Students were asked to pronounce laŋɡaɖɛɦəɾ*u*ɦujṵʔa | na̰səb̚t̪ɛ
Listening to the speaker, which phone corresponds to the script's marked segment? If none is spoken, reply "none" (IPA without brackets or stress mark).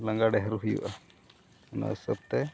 u